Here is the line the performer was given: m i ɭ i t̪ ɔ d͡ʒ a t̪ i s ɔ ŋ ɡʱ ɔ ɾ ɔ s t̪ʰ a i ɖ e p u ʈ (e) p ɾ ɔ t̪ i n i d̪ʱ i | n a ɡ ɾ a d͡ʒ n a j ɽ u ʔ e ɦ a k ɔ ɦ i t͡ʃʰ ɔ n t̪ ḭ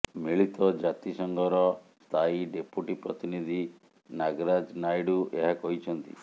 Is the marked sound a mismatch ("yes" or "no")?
yes